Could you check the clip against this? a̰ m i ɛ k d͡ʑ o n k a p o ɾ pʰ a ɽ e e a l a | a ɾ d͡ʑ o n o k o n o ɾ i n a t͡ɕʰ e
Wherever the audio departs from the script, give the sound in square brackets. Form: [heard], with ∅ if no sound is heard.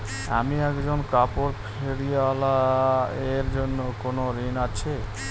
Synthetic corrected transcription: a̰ m i ɛ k d͡ʑ o n k a p o ɾ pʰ [e] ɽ [i] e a l a | [e] ɾ d͡ʑ o [nː] o k o n o ɾ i n a t͡ɕʰ e